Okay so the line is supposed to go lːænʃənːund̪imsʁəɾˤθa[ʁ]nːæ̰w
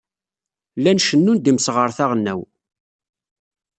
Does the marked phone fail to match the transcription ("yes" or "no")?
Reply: no